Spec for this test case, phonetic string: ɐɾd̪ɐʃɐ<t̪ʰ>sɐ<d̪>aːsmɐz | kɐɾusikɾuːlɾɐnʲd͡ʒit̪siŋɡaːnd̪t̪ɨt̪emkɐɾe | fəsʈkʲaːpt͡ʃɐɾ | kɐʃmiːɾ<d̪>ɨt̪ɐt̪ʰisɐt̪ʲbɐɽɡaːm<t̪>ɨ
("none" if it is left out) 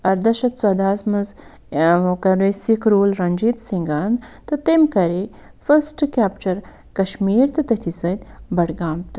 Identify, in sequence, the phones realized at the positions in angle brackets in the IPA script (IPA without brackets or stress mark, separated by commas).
t̪, d̪, t̪, t̪